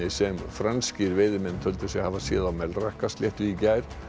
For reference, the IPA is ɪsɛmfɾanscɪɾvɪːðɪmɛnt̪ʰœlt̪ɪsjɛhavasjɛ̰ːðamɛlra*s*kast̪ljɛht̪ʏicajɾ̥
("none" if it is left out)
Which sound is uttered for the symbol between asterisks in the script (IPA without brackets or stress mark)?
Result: h